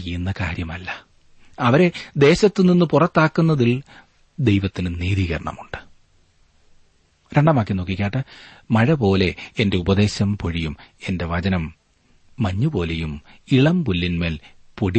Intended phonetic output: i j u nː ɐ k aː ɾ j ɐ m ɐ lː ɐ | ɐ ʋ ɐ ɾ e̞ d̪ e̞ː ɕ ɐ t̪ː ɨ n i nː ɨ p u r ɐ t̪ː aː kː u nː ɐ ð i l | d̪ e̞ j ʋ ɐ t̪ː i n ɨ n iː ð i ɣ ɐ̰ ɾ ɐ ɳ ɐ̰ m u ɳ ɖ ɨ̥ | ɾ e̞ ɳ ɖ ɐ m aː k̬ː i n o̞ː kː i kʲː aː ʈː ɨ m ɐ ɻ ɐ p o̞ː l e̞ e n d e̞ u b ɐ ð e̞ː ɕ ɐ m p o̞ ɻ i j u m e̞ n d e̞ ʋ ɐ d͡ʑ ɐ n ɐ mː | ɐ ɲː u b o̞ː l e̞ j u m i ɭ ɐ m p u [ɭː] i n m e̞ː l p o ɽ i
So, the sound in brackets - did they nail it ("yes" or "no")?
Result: no